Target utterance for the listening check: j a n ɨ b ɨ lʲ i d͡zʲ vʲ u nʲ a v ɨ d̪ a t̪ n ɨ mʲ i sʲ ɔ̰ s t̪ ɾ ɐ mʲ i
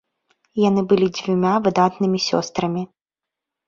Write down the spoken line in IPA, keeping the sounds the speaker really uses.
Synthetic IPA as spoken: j a n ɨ b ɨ lʲ i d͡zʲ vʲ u mʲ a v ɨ d̪ a t̪ n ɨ mʲ i sʲ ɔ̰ s t̪ ɾ ɐ mʲ i